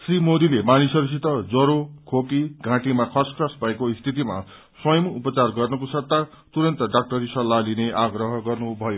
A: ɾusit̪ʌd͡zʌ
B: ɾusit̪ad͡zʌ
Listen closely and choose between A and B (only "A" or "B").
A